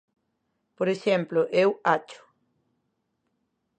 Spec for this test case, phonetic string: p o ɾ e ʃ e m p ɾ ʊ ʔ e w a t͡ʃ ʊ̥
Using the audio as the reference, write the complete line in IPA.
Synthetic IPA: p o ɾ e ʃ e m p l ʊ ʔ e w a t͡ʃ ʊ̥